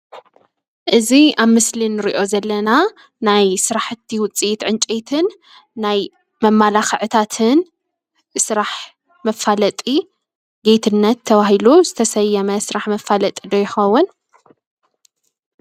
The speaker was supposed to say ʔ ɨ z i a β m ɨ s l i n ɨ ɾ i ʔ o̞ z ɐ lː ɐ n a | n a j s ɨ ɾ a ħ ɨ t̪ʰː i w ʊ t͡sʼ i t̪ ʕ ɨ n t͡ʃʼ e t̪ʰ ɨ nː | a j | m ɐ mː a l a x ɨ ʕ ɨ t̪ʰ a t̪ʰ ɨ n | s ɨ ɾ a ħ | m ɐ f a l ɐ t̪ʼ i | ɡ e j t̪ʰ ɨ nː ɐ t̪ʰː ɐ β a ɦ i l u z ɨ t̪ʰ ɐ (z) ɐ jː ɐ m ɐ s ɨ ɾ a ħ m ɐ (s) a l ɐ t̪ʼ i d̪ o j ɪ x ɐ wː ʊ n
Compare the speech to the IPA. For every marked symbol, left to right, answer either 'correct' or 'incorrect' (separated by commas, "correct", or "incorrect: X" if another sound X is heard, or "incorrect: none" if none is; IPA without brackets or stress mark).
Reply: incorrect: s, incorrect: f